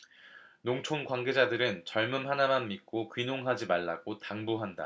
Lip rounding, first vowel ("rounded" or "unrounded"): rounded